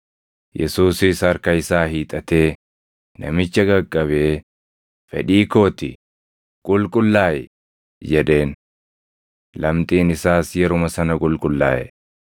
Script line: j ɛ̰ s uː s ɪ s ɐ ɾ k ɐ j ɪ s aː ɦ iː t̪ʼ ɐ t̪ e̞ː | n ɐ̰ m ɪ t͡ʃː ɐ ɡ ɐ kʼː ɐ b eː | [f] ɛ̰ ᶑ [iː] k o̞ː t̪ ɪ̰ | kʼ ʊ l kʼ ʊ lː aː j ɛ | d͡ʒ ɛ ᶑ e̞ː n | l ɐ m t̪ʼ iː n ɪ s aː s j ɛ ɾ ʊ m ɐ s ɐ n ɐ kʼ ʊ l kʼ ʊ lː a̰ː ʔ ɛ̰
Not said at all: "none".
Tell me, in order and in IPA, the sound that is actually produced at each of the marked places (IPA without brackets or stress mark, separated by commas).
f, iː